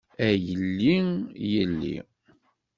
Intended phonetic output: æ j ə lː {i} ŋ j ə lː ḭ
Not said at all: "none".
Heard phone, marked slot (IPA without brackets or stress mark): i